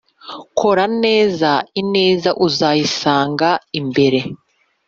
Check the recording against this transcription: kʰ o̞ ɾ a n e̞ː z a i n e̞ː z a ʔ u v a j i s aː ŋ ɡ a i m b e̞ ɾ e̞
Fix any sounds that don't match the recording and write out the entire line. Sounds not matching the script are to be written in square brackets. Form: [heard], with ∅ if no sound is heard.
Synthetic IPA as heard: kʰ o̞ ɾ a n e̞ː z a i n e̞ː z a ʔ u [z] a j i s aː ŋ ɡ a i m b e̞ ɾ e̞